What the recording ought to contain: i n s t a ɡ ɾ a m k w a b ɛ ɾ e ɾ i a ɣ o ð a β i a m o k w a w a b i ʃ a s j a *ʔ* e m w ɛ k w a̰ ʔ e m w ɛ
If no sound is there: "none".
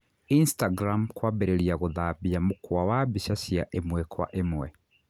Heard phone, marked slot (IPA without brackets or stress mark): ʔ